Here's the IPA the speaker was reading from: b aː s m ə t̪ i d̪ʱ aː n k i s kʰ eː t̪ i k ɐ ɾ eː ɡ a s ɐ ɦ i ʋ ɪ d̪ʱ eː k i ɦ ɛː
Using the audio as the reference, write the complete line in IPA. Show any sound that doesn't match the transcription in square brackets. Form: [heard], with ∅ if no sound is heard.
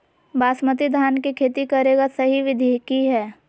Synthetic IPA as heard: b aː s m ə t̪ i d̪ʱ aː n k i [∅] kʰ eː t̪ i k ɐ ɾ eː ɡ a s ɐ ɦ i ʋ ɪ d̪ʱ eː k i ɦ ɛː